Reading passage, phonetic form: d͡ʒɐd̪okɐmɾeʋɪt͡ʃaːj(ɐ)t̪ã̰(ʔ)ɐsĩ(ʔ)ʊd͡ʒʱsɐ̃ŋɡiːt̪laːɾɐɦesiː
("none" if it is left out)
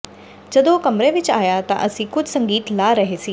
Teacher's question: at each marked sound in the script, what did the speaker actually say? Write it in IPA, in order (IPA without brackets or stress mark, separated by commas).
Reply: a, ʔ, k